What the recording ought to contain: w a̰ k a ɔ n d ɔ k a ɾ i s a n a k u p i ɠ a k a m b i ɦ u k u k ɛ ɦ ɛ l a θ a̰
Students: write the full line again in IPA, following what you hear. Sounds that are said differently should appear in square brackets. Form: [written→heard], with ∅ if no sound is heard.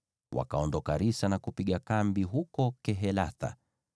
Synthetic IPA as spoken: w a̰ k a ɔ n d ɔ k a ɾ i s a n a k u p i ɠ a k a m b i ɦ u k [u→ɔ] k ɛ ɦ ɛ l a θ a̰

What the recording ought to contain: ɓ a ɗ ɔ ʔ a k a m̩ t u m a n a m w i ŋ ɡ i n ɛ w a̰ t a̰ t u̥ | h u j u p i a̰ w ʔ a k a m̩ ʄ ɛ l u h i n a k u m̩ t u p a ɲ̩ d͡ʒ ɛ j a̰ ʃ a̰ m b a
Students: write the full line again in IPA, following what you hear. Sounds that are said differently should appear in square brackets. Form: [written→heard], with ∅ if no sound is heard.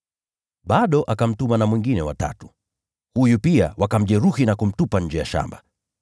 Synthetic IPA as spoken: ɓ a ɗ ɔ ʔ a k a m̩ t u m a n a m w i ŋ ɡ i n ɛ w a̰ t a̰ t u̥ | h u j u p i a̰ w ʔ a k a m̩ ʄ ɛ [l→ɾ] u h i n a k u m̩ t u p a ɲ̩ d͡ʒ ɛ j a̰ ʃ a̰ m b a

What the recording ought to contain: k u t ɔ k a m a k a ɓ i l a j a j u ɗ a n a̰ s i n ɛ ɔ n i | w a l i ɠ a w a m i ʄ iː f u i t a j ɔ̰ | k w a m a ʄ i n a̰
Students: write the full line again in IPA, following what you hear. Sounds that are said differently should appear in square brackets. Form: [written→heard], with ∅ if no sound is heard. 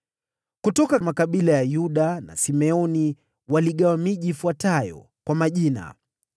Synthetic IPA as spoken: k u t ɔ k a m a k a ɓ i l a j a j u ɗ a n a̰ s i [n→m] ɛ ɔ n i | w a l i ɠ a w a m i ʄ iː f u [i→a] t a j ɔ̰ | k w a m a ʄ i n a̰

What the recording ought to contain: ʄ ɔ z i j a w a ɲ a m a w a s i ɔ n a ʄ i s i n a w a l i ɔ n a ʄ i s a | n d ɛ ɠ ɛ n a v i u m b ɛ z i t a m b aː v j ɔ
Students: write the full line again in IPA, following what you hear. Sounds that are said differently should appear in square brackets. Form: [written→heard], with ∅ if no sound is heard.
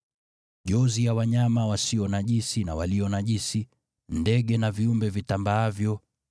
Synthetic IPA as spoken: ʄ ɔ z i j a w a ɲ a m a w a s i ɔ n a ʄ i s i n a w a l i ɔ n a ʄ i s [a→i] | n d ɛ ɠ ɛ n a v i u m b ɛ [z→v] i t a m b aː v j ɔ

